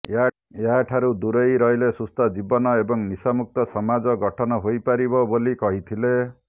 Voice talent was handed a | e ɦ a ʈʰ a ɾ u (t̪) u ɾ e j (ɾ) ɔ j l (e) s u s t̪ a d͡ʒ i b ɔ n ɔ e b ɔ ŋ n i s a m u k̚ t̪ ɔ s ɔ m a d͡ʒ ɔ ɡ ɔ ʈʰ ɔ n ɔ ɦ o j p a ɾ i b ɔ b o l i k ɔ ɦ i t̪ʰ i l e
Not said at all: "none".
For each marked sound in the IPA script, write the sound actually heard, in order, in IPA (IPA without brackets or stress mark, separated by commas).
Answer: d̪, ɾ, e